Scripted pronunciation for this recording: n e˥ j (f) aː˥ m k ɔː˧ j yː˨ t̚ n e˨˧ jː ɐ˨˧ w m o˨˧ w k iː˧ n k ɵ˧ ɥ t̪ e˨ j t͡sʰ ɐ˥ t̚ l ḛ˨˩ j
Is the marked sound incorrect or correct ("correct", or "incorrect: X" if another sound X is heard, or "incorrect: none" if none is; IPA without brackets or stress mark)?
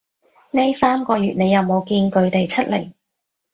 incorrect: s